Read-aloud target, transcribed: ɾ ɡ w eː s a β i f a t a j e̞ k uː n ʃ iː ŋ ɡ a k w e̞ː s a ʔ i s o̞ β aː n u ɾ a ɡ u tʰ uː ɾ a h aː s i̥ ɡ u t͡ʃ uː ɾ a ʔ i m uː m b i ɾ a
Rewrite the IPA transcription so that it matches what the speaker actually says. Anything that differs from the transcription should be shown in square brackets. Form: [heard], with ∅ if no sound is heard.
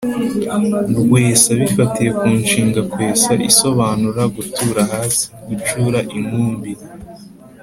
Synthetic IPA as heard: ɾ ɡ w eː s a β i f a t [i] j e̞ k uː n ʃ iː ŋ ɡ a k w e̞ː s a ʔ i s o̞ β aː n u ɾ a ɡ u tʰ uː ɾ a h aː s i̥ ɡ u t͡ʃ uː ɾ a ʔ i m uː m b i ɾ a